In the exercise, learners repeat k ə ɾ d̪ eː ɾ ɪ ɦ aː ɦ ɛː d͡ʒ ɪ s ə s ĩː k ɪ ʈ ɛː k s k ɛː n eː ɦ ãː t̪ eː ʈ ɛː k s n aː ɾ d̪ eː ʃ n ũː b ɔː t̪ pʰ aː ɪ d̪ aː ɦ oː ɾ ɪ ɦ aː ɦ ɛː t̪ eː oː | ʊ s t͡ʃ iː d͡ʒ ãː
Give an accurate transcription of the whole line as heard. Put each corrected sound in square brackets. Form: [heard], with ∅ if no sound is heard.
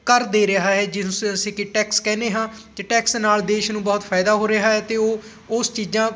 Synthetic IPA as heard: k ə ɾ d̪ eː ɾ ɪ ɦ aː ɦ ɛː d͡ʒ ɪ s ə s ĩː k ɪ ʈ ɛː k s k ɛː n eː ɦ ãː t̪ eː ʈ ɛː k s n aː [l] d̪ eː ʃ n ũː b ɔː t̪ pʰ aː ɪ d̪ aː ɦ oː ɾ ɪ ɦ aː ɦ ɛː t̪ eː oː | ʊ s t͡ʃ iː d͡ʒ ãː